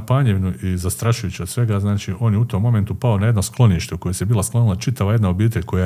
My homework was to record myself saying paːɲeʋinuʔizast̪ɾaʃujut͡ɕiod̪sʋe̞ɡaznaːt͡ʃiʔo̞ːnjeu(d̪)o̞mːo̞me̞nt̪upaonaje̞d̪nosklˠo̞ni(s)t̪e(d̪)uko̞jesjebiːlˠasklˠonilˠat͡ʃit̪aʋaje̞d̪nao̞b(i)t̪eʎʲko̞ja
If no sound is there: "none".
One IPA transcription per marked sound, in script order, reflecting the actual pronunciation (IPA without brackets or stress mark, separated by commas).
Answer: t̪, ʃ, none, iː